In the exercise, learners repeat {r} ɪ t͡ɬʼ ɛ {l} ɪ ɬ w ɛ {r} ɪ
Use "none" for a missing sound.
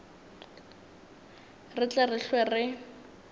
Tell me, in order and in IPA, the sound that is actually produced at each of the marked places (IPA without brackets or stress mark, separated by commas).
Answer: r, r, r